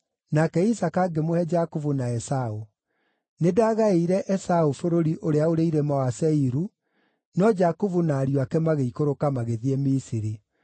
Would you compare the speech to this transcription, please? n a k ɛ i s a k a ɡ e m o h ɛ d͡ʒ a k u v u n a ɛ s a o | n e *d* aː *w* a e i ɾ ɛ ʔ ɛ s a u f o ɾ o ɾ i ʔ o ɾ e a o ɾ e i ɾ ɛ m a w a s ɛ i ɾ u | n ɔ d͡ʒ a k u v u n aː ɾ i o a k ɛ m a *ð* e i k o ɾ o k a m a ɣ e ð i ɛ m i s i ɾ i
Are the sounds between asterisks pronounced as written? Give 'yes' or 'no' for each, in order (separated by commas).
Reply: yes, no, no